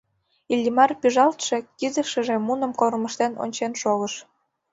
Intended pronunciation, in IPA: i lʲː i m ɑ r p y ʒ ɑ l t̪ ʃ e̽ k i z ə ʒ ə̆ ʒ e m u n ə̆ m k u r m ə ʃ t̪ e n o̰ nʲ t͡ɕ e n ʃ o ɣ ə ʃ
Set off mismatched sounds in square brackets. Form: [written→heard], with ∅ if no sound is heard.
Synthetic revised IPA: i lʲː i m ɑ r p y ʒ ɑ l t̪ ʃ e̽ k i z ə [ʒ→ʃ] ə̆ ʒ e m u n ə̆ m k [u→o] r m ə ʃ t̪ e n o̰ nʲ t͡ɕ e n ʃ o ɣ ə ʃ